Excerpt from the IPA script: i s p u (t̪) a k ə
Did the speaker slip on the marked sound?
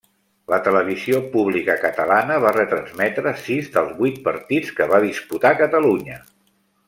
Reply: no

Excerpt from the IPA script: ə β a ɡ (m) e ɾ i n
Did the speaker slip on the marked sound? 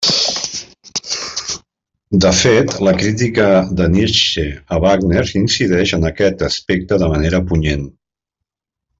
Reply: yes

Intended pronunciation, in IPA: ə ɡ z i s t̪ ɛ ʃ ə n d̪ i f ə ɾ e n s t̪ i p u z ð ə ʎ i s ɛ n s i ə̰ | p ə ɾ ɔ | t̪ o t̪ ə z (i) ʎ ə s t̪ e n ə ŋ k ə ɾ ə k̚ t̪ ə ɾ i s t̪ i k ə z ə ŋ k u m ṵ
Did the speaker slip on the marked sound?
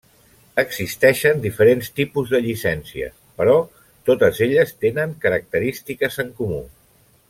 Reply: yes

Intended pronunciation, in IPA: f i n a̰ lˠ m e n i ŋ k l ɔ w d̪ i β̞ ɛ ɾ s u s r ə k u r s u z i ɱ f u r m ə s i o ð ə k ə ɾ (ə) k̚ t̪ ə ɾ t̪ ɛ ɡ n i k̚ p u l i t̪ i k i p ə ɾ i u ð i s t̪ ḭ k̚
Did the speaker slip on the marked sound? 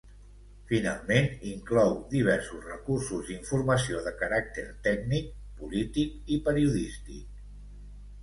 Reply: yes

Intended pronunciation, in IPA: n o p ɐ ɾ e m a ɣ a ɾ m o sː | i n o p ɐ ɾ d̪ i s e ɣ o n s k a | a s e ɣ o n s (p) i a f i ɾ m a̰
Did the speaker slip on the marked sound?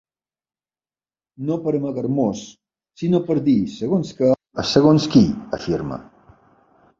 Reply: yes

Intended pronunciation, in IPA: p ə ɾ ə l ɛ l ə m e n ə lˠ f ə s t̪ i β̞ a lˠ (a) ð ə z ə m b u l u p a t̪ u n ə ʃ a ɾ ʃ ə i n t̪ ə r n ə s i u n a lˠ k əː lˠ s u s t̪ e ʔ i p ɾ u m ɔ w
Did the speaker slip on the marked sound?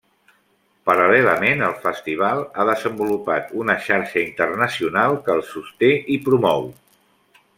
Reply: no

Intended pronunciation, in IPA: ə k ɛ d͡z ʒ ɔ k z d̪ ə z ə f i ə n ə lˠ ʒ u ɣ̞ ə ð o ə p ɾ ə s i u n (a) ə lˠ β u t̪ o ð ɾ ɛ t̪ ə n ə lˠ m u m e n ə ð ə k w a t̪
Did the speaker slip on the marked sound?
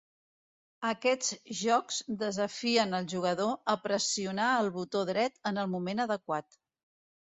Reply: no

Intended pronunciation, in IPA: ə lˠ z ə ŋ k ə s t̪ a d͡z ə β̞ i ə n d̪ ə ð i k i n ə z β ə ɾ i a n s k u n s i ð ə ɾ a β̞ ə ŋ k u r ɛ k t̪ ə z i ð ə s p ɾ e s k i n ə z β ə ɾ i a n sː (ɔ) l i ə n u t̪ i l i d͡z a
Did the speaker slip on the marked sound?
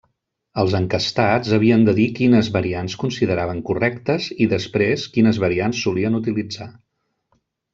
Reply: yes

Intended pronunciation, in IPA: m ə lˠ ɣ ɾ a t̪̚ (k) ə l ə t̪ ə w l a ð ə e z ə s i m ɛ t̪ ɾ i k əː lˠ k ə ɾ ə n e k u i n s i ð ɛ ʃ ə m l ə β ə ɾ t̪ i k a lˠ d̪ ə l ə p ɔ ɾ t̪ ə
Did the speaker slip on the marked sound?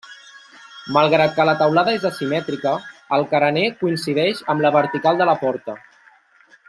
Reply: no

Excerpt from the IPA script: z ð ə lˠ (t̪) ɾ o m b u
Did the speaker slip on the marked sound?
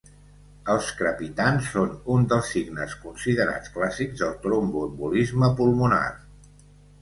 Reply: no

